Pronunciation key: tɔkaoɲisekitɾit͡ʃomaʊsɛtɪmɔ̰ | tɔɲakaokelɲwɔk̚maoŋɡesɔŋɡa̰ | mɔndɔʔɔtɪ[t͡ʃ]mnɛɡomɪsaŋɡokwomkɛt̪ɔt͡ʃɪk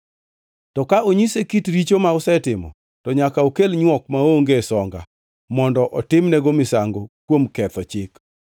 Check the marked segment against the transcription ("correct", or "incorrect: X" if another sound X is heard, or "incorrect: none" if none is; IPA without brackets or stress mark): incorrect: none